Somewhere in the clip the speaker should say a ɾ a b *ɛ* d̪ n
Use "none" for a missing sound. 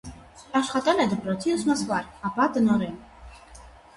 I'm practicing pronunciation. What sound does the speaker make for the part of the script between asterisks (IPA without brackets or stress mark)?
a